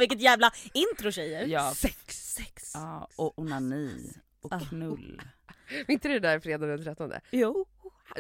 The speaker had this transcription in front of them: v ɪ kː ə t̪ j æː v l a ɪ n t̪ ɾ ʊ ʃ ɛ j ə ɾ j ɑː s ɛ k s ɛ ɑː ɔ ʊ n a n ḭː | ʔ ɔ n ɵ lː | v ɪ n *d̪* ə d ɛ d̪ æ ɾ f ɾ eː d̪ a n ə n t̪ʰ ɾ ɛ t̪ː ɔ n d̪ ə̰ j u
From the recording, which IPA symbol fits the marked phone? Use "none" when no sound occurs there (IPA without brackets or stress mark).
t̪